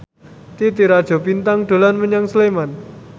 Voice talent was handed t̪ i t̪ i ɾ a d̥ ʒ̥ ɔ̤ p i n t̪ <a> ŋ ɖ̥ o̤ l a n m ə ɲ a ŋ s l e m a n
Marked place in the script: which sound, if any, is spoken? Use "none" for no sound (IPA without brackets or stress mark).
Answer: a